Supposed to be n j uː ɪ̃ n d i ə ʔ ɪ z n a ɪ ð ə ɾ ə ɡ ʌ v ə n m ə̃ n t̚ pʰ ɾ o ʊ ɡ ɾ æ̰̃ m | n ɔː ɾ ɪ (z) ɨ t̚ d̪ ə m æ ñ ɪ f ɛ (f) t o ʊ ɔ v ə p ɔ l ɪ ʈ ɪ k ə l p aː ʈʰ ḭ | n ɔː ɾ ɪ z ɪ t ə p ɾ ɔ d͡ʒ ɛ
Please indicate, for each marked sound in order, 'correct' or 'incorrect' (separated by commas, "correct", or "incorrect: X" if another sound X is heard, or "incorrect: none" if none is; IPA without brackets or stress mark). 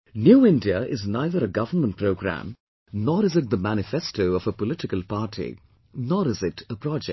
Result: correct, incorrect: s